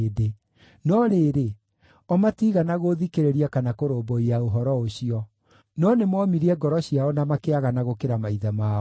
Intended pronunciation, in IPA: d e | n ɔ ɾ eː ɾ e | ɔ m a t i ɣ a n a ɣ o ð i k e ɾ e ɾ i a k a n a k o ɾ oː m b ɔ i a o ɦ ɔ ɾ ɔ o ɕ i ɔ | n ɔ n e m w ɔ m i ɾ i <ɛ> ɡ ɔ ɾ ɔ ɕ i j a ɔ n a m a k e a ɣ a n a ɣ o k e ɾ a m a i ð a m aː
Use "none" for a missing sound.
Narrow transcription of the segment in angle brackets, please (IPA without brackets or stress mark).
ɛ